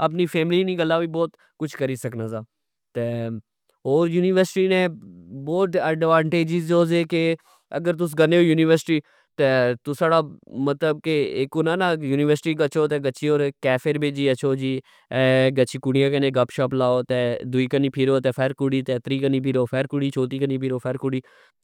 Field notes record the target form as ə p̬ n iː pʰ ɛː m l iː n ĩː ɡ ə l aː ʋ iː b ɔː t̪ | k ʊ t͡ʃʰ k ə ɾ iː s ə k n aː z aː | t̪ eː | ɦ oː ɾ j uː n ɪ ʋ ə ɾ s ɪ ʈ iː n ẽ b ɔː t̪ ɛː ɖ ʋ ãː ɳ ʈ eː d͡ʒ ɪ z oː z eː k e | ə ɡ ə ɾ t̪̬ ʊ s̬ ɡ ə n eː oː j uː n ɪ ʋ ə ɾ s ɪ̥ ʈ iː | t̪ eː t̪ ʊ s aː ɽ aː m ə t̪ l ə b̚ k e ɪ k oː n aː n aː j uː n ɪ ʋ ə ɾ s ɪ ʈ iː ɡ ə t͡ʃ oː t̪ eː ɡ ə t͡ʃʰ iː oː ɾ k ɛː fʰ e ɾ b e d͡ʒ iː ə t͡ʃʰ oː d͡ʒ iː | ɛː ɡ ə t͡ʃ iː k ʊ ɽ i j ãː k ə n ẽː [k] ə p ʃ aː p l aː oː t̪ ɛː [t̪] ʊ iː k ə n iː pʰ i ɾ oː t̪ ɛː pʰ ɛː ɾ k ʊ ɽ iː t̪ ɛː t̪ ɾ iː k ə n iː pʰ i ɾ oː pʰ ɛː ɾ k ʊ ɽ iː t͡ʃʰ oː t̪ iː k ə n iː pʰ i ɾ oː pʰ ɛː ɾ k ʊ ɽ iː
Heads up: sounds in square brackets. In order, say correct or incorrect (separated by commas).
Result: incorrect, incorrect